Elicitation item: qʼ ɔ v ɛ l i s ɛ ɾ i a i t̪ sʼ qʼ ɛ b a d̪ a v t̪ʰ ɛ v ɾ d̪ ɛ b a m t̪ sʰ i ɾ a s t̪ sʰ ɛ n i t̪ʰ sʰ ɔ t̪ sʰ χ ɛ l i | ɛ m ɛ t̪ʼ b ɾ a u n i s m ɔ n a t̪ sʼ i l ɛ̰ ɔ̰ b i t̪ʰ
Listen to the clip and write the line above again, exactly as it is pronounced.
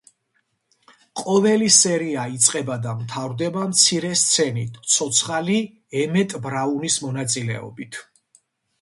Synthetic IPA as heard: qʼ ɔ v ɛ l i s ɛ ɾ i a i t̪ sʼ qʼ ɛ b a d̪ a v t̪ʰ a v ɾ d̪ ɛ b a m t̪ sʰ i ɾ ɛ s t̪ sʰ ɛ n i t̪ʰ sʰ ɔ t̪ sʰ χ a l i | ɛ m ɛ t̪ʼ b ɾ a u n i s m ɔ n a t̪ sʼ i l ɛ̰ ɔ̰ b i t̪ʰ